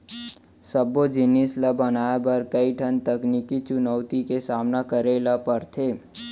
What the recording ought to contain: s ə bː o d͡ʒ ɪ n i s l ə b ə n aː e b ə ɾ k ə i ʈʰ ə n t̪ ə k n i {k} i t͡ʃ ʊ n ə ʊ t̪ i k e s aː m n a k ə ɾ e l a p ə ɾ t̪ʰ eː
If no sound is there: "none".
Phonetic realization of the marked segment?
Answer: k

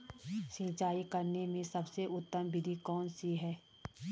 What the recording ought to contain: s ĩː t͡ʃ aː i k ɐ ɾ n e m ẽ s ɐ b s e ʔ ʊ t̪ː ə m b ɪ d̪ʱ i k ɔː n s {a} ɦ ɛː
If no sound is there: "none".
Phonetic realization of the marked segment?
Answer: i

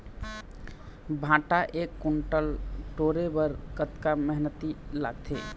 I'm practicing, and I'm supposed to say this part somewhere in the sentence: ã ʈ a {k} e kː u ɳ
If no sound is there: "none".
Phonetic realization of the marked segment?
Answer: ʔ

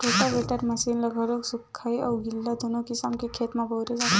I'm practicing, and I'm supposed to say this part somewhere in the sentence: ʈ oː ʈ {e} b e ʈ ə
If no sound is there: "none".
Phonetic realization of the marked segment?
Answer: a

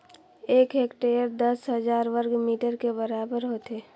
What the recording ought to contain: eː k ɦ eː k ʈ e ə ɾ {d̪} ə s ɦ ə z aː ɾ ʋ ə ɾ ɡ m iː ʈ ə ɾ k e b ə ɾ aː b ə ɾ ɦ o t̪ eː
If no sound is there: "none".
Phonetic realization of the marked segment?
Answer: d̪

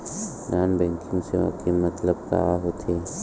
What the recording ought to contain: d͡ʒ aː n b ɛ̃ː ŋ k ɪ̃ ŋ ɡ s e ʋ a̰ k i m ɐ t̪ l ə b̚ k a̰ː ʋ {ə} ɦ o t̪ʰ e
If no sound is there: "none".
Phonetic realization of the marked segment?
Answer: a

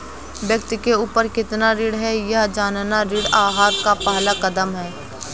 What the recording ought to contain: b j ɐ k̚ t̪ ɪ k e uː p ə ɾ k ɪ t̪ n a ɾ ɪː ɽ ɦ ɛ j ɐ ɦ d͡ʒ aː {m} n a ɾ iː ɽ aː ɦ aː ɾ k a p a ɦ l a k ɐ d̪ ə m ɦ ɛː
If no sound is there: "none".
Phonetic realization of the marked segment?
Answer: n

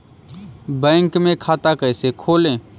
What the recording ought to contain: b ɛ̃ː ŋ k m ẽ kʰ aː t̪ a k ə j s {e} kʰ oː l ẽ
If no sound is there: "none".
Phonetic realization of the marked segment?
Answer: e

